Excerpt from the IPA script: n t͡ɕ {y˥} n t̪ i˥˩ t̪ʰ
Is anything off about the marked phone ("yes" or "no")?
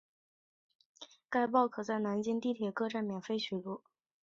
yes